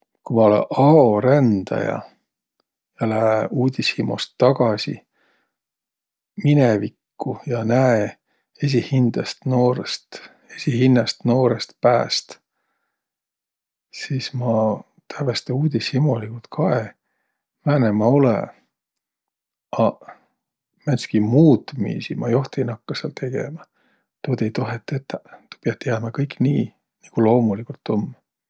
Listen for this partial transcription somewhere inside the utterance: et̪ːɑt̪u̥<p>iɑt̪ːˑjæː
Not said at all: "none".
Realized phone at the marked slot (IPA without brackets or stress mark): p